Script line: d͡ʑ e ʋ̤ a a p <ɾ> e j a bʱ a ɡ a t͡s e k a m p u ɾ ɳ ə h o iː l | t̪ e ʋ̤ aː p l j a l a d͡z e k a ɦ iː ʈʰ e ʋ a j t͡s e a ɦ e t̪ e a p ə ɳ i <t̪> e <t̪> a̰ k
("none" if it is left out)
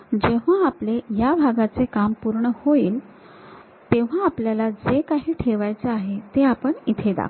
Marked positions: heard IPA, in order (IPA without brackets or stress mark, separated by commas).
l, t̪ʰ, d̪